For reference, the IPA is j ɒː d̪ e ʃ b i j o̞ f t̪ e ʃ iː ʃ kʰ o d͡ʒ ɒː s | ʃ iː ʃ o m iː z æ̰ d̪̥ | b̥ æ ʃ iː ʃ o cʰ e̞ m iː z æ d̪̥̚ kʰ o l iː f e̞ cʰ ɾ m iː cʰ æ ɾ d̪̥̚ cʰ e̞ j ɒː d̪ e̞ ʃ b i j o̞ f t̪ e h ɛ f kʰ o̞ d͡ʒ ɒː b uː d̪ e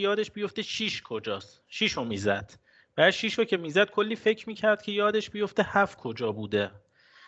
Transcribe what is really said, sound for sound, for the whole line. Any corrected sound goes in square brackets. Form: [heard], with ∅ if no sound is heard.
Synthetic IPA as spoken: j ɒː d̪ e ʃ b i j o̞ f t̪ e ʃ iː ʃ kʰ o d͡ʒ ɒː s | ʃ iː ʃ o m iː z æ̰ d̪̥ | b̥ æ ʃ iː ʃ o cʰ e̞ m iː z æ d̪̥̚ kʰ o [lː] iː f e̞ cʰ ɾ m iː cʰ æ ɾ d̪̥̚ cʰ e̞ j ɒː d̪ e̞ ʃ b i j o̞ f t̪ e h [æ] f kʰ o̞ d͡ʒ ɒː b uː d̪ e